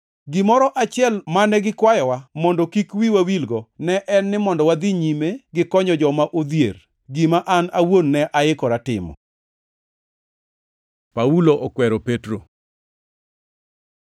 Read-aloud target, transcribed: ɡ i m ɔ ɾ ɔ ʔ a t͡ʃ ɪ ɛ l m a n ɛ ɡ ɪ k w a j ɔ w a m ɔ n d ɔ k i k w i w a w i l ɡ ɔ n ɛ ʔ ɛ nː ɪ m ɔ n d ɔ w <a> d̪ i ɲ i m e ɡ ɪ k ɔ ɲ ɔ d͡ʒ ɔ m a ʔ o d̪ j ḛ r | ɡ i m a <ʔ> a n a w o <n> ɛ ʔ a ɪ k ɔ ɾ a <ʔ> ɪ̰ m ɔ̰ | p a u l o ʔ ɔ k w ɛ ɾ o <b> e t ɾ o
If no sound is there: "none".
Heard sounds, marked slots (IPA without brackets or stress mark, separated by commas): a, ʔ, nː, t, p